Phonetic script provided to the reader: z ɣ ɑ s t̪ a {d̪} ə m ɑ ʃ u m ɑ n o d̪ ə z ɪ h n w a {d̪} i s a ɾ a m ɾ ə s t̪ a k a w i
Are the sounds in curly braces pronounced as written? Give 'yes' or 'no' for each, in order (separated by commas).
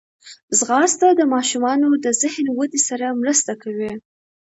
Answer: yes, yes